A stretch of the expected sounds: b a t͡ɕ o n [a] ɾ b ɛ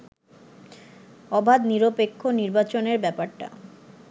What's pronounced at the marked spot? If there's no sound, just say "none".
e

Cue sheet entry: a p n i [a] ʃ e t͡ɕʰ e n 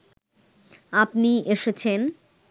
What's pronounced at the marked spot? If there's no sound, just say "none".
e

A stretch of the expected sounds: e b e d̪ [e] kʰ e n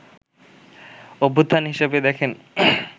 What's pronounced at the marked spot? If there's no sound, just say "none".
ɛ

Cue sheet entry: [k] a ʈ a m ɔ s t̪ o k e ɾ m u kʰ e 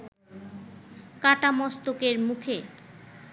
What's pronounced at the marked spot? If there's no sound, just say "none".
k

